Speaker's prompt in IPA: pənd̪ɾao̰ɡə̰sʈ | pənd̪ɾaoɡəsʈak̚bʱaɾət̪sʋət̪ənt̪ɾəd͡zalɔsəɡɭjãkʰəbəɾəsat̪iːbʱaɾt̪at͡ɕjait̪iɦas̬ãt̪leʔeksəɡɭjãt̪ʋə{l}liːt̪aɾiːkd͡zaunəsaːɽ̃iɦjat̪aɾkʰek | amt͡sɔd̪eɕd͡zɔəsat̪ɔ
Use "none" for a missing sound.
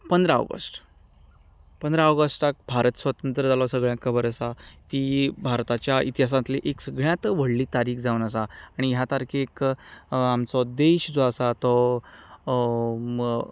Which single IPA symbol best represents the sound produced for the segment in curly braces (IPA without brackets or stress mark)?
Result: ɽ